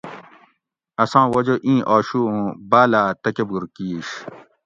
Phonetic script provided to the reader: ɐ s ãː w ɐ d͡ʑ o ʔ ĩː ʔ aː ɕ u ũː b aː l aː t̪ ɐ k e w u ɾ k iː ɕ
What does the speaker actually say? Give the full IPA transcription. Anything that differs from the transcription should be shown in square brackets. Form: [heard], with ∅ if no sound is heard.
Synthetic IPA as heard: ɐ s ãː w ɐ d͡ʑ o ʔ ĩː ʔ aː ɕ u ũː b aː l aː t̪ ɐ k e [b] u ɾ k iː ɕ